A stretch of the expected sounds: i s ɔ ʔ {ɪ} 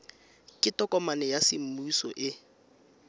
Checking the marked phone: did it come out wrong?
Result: no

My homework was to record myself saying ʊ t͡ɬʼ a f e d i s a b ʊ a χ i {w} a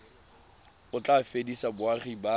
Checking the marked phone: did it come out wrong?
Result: yes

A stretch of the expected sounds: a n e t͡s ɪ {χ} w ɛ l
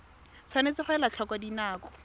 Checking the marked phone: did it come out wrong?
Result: no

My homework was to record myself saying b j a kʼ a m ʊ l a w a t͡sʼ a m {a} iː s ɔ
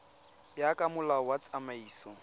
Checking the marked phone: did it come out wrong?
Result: no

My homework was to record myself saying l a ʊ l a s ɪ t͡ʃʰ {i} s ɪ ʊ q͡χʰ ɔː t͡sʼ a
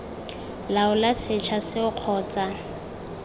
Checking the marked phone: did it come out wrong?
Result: yes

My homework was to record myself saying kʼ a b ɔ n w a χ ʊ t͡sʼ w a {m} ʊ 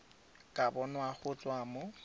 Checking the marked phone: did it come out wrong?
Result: no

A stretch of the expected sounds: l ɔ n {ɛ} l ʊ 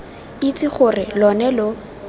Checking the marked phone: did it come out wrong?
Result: no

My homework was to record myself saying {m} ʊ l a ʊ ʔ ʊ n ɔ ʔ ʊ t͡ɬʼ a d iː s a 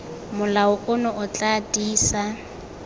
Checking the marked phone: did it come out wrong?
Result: no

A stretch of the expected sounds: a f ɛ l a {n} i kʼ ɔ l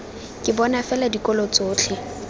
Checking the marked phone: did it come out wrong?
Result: yes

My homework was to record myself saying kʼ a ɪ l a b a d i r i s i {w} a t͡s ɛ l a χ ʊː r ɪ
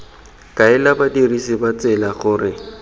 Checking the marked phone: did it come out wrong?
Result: yes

